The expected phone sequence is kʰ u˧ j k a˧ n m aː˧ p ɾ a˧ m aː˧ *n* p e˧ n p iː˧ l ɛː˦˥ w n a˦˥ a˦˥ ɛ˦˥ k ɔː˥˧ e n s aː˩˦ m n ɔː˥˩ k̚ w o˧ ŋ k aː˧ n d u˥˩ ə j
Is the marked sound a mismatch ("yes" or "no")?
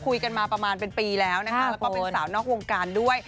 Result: no